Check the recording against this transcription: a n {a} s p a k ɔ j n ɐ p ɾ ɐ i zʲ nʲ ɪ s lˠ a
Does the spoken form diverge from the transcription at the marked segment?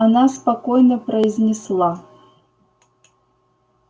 no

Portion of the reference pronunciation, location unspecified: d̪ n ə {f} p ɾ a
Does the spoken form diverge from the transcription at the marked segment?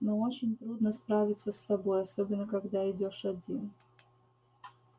yes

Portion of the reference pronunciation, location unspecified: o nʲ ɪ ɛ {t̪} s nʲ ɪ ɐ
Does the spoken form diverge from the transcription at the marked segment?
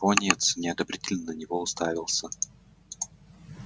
no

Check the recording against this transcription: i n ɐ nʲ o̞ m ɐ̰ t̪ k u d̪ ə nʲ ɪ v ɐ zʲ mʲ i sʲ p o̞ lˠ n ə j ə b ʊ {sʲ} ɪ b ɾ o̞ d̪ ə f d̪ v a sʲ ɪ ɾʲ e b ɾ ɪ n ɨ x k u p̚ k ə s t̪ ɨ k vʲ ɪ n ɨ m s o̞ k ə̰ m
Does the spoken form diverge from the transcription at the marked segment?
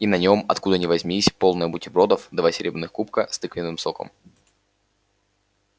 yes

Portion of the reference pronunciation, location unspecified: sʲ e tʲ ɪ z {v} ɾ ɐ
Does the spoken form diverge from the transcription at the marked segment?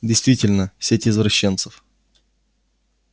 no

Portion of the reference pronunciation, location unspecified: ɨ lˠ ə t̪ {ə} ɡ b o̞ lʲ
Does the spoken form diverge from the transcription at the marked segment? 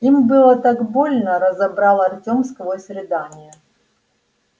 yes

